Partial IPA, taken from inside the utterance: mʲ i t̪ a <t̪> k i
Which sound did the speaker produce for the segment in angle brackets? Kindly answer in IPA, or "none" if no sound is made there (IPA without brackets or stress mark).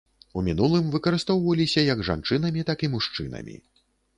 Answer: none